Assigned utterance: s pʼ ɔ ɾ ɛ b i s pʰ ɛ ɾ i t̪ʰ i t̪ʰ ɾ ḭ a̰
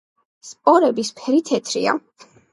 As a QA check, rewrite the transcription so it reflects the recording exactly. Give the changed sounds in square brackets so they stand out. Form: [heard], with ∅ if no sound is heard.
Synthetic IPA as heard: s pʼ ɔ ɾ ɛ b i s pʰ ɛ ɾ i t̪ʰ [ɛ] t̪ʰ ɾ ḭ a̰